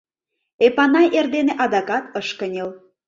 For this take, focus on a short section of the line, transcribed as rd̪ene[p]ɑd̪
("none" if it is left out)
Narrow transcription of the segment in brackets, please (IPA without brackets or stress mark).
ʔ